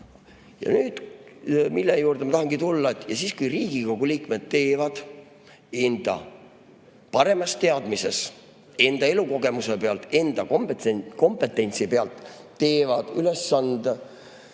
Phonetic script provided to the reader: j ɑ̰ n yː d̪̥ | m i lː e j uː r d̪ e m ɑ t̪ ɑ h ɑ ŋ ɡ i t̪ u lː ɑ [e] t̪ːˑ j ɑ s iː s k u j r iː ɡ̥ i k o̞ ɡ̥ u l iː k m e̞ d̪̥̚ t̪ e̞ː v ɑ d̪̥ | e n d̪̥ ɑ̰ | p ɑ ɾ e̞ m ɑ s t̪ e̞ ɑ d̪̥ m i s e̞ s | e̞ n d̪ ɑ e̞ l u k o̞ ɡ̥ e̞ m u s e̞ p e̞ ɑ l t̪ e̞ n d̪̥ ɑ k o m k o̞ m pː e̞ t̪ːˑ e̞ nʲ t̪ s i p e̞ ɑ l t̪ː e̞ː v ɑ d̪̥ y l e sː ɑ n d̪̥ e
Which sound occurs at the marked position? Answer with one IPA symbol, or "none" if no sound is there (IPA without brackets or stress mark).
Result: e